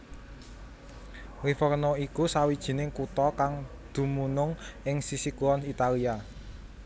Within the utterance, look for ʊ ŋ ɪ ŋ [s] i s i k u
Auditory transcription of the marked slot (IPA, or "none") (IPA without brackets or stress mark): s